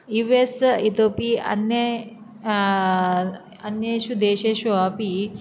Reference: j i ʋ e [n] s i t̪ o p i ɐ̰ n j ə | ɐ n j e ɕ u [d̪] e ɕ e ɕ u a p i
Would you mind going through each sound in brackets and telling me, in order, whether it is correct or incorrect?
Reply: incorrect, correct

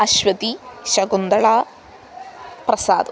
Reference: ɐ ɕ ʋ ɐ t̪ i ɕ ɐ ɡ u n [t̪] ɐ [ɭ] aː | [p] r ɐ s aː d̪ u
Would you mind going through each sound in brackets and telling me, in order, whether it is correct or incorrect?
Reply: incorrect, correct, correct

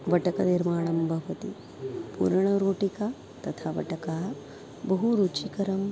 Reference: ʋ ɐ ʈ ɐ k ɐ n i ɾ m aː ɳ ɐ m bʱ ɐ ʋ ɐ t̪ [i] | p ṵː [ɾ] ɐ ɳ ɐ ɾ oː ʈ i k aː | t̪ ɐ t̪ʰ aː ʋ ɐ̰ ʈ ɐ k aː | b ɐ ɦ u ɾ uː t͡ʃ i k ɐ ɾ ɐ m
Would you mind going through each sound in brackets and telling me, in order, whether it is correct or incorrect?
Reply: correct, correct

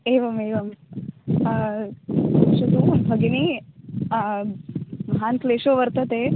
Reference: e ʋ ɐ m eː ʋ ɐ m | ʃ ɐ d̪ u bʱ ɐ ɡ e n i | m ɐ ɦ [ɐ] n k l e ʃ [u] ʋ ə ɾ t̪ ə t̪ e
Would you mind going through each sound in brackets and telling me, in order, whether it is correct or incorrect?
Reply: incorrect, incorrect

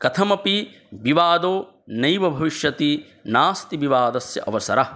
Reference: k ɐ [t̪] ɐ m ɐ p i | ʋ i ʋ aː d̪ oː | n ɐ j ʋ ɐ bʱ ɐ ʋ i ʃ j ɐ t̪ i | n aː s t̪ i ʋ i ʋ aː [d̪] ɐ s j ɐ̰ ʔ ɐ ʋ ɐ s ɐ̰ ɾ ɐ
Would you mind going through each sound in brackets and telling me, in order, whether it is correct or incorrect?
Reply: incorrect, correct

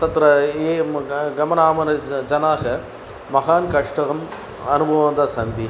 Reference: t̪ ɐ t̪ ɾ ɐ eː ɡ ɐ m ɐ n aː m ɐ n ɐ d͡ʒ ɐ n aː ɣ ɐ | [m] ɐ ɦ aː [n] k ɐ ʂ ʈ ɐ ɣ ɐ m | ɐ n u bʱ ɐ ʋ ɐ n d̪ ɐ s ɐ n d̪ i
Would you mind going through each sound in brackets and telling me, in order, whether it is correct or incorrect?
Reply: correct, correct

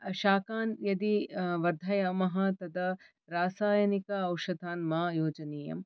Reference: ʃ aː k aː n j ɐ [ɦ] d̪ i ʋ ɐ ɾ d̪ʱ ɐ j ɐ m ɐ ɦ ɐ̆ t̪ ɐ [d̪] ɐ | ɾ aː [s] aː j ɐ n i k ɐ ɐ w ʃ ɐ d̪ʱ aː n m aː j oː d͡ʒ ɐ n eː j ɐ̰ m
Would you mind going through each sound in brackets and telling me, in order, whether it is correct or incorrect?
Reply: incorrect, correct, correct

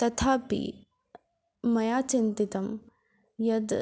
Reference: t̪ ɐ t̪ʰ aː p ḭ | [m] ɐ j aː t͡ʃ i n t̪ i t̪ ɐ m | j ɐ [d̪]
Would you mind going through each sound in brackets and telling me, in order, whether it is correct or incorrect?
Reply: correct, correct

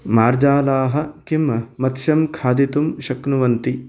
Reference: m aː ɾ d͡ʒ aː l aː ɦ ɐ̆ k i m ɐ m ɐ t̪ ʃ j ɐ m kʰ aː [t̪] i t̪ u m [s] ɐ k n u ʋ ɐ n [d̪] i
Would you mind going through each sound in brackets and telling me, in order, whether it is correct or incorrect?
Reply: incorrect, incorrect, incorrect

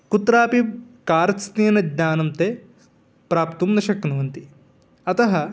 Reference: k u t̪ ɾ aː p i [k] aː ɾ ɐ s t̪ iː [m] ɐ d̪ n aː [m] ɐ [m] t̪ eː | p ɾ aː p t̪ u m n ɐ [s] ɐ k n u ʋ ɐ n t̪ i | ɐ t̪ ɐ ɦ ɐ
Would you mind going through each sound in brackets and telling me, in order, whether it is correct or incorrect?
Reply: correct, incorrect, incorrect, correct, incorrect

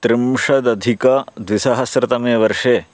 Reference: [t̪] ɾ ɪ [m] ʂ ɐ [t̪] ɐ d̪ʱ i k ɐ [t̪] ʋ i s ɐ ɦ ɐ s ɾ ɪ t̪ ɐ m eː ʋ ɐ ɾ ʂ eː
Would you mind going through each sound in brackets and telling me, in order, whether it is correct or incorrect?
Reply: correct, correct, incorrect, incorrect

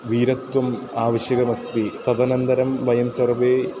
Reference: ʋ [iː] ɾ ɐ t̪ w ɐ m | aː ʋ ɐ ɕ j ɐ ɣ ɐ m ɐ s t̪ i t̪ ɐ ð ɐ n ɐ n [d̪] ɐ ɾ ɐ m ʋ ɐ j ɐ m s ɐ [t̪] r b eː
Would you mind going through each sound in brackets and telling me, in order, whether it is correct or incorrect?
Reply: correct, correct, incorrect

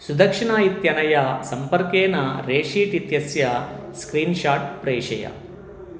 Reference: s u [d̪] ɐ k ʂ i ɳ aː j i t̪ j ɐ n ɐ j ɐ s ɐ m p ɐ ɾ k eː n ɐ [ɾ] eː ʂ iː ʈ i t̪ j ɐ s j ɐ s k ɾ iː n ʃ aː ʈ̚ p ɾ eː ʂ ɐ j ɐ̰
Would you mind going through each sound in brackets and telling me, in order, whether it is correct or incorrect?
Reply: correct, correct

